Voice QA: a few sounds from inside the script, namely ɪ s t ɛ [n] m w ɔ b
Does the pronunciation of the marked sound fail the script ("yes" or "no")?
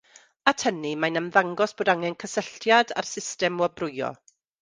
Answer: yes